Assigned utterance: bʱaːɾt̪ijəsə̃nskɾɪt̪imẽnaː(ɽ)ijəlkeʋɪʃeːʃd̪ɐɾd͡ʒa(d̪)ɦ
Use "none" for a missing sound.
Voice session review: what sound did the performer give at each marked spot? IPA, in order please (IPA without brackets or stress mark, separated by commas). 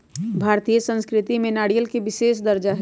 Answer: ɽ, none